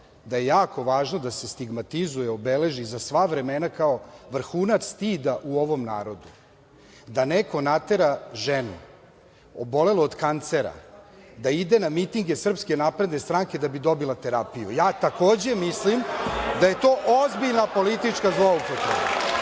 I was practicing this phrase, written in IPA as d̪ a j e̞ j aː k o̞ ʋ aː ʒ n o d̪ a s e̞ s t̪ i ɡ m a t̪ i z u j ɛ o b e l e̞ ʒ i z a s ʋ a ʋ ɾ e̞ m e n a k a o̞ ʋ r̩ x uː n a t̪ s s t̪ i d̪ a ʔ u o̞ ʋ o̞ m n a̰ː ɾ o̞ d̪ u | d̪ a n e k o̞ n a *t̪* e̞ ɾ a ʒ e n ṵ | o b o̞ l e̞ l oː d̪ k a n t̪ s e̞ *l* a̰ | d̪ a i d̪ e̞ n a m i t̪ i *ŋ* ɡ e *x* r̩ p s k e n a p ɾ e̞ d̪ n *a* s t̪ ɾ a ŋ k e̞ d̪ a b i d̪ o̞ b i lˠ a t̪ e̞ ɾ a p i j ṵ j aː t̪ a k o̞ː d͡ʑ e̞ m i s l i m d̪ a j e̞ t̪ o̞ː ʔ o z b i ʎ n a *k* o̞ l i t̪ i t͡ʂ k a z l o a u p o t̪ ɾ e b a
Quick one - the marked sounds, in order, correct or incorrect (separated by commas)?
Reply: correct, incorrect, correct, incorrect, incorrect, incorrect